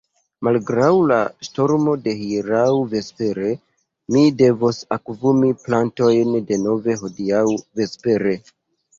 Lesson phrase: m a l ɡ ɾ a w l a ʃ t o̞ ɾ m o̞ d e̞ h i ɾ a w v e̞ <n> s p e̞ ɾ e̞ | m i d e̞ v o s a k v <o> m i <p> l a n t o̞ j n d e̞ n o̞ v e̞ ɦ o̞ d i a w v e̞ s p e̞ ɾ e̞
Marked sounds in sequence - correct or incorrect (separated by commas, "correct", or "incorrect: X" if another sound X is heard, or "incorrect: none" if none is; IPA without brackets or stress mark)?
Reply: incorrect: none, incorrect: u, correct